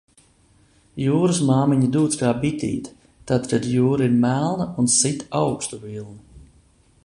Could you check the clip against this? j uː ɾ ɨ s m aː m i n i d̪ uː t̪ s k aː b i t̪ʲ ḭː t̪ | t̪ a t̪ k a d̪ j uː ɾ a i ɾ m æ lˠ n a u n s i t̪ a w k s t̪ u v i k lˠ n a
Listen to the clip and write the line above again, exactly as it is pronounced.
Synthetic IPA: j uː ɾ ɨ s m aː m i ɲ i d̪ uː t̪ s k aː b i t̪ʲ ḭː t̪ | t̪ a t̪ k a d̪ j uː ɾ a i ɾ m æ lˠ n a u n s i t̪ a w k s t̪ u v i lˠ n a